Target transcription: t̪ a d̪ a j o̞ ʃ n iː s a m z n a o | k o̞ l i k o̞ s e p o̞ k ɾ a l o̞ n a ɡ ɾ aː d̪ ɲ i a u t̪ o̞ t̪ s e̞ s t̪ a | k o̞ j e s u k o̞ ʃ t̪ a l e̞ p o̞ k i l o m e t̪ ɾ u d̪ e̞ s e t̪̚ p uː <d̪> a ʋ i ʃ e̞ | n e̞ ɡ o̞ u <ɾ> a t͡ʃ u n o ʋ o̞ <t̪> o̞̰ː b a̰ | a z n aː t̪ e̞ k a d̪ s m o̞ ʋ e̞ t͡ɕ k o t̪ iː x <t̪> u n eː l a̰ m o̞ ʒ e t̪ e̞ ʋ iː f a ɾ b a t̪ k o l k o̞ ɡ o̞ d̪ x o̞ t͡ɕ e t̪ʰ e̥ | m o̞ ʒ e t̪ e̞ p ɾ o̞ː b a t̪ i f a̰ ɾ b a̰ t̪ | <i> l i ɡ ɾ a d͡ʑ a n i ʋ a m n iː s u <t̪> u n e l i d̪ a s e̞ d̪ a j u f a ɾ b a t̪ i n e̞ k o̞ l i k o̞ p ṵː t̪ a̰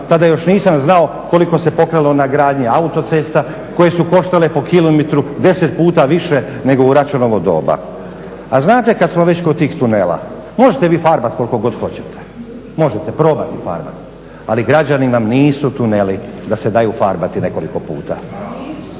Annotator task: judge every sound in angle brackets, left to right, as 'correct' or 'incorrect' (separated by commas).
incorrect, correct, incorrect, correct, incorrect, correct